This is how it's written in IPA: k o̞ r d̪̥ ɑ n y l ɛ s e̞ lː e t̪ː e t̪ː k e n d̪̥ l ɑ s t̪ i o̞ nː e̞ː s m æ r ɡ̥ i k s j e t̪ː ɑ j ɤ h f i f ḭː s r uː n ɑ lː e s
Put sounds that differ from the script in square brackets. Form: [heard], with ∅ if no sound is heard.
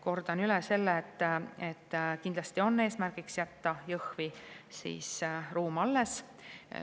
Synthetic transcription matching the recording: k o̞ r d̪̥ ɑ n y l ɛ s e̞ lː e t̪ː e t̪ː k [i] n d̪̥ l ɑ s t̪ i o̞ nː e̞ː s m æ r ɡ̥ i k s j [æ] t̪ː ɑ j ɤ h [v] i [s] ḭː s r uː [m] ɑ lː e s